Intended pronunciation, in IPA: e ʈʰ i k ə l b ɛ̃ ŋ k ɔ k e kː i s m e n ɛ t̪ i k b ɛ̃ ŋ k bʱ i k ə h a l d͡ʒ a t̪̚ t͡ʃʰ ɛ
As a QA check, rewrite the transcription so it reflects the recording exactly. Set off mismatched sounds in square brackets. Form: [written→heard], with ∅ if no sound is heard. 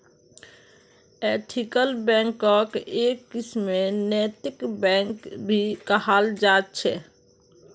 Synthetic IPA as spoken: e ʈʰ i k ə l b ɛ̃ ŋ k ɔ k e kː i s m e n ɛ t̪ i k b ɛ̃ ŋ k bʱ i k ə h a l d͡ʒ a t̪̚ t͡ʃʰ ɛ